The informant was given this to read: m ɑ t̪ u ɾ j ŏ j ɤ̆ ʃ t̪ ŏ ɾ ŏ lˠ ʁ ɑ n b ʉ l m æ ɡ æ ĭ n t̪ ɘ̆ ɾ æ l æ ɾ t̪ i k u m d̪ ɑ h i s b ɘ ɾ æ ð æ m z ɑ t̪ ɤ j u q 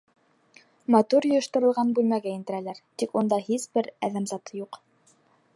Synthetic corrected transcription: m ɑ t̪ u ɾ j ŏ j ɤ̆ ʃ t̪ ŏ ɾ ɤ̆ lˠ ʁ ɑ n b ʉ l m æ ɡ æ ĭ n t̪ ɘ̆ ɾ æ l æ ɾ t̪ i k u n d̪ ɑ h i s b ɘ ɾ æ ð æ m z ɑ t̪ ɤ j u q

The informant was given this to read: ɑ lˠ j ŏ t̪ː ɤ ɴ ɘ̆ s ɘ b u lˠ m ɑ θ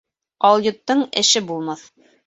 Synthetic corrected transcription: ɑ lˠ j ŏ t̪ː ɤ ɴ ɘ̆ ʃ ɘ b u lˠ m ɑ θ

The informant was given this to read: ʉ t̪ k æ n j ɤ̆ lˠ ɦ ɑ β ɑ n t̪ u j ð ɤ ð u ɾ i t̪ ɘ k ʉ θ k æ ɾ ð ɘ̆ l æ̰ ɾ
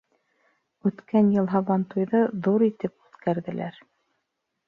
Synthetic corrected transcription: ʉ t̪ k æ n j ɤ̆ lˠ ɦ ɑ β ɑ n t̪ u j ð ɤ ð u ɾ i t̪ ɘ p ʉ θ k æ ɾ ð ɘ̆ l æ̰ ɾ

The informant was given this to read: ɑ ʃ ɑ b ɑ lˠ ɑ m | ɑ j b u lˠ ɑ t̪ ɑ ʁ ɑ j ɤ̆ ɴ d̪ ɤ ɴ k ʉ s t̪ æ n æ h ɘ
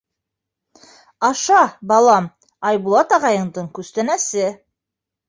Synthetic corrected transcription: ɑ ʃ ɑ b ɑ lˠ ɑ m | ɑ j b u lˠ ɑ t̪ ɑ ʁ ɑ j ɤ̆ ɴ d̪ ɤ ɴ k ʉ s t̪ æ n æ s ɘ

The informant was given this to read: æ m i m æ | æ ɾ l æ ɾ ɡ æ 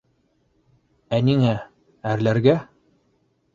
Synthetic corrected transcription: æ n i ŋ æ | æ ɾ l æ ɾ ɡ æ

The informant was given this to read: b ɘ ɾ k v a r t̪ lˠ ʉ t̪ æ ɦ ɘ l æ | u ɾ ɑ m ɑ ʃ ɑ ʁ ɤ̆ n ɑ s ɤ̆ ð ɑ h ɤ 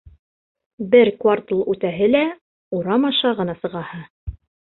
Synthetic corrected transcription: b ɘ ɾ k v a r t̪ lˠ ʉ t̪ æ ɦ ɘ l æ | u ɾ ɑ m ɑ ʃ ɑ ʁ ɤ̆ n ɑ s ɤ̆ ʁ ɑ h ɤ

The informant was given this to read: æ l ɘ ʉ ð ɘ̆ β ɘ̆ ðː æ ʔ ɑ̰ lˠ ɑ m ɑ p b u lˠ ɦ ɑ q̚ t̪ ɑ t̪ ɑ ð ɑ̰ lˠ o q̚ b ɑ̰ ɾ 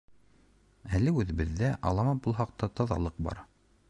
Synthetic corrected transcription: æ l ɘ ʉ ð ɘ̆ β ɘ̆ ðː æ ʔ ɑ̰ lˠ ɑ m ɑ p b u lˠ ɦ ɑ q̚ t̪ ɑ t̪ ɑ ð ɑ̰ lˠ ɤ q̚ b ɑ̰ ɾ

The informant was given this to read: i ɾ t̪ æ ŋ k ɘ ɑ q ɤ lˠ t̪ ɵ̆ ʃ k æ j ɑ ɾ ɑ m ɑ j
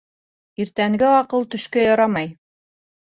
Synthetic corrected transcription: i ɾ t̪ æ ŋ ɡ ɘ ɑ q ɤ lˠ t̪ ɵ̆ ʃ k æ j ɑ ɾ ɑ m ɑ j

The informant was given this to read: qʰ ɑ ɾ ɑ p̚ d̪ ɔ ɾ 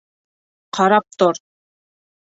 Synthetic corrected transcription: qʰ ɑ ɾ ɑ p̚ t̪ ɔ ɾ

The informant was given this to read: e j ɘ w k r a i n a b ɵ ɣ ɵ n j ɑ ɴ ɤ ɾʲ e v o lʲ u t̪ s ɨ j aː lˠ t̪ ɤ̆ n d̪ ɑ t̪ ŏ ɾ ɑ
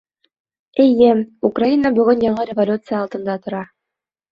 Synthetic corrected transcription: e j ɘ u k r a i n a b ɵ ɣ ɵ n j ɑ ɴ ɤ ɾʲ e v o lʲ u t̪ s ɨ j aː lˠ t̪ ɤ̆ n d̪ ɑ t̪ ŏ ɾ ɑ

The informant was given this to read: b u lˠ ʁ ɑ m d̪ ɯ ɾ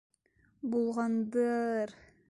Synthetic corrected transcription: b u lˠ ʁ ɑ n d̪ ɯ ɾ

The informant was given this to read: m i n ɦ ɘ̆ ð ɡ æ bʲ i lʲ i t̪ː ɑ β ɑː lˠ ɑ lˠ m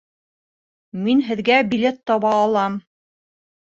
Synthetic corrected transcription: m i n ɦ ɘ̆ ð ɡ æ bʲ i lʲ e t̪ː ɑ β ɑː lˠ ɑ m

